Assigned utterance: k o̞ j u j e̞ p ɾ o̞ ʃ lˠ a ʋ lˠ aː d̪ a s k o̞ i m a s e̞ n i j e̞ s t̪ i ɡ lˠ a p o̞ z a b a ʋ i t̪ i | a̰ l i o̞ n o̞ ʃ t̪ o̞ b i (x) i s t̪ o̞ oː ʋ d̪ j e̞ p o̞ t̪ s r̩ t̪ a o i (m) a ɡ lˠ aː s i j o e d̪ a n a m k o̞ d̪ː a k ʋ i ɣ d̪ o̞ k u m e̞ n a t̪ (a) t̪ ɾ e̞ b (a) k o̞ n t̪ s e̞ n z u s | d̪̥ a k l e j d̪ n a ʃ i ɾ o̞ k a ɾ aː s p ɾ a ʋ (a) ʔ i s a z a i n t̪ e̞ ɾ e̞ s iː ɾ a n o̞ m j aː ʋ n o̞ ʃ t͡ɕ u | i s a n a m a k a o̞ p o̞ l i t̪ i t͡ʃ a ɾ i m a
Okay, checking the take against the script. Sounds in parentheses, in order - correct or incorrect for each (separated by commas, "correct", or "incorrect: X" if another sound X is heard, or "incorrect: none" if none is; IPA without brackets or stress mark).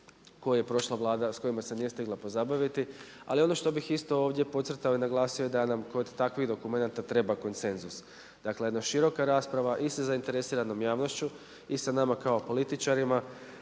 correct, incorrect: n, correct, correct, correct